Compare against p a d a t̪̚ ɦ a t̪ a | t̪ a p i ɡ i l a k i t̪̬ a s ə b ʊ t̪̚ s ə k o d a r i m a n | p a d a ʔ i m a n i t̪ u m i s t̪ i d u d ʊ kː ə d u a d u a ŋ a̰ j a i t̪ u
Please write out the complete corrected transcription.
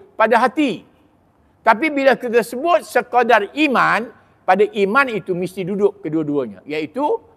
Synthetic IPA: p a d a ɦ a t̪ i | t̪ a p i b i l a k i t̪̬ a s ə b ʊ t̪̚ s ə k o d a r i m a n | p a d a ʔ i m a n i t̪ u m i s t̪ i d u d ʊ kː ə d u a d u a ɲ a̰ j a i t̪ u